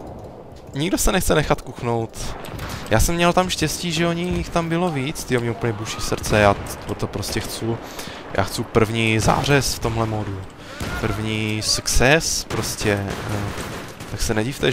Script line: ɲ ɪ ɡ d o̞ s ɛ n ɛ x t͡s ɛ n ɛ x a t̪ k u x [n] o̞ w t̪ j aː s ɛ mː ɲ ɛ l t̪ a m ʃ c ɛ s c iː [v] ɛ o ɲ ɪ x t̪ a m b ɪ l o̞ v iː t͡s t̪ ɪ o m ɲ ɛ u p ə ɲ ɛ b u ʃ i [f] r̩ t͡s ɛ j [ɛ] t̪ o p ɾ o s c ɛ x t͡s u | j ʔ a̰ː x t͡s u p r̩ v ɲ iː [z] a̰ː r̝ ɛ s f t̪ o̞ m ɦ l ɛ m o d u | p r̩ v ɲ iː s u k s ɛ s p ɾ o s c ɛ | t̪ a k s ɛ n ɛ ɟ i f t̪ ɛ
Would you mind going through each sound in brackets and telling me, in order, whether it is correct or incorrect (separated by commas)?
correct, incorrect, incorrect, incorrect, correct